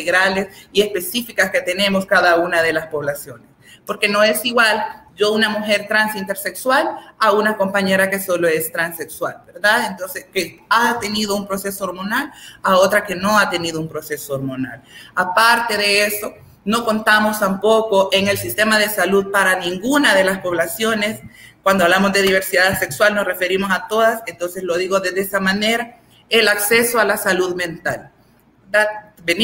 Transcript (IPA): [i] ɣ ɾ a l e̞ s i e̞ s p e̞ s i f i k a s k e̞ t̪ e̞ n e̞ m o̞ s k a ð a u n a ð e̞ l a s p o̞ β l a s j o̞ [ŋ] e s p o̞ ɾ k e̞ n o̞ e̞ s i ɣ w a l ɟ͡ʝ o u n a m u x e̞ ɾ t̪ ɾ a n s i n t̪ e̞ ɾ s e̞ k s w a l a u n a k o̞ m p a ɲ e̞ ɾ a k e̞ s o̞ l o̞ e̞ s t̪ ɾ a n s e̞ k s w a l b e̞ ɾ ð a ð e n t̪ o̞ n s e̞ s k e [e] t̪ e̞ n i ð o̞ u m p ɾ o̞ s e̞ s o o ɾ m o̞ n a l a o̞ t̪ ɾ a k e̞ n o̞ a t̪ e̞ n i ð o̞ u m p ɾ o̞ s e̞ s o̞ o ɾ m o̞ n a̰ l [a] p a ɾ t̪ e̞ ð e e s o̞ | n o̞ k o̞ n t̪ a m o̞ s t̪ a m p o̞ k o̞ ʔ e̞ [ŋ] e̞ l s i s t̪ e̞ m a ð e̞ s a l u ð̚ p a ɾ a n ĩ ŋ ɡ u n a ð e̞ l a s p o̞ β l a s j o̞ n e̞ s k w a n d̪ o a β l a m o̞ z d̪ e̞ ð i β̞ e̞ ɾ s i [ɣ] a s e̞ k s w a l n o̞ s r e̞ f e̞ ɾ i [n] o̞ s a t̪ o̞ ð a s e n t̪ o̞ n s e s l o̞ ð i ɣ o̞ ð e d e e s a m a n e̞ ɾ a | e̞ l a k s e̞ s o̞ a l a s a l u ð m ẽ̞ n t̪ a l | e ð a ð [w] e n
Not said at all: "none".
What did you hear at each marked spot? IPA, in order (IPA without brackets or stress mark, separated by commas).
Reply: e, n, a, a, ŋ, ð, m, b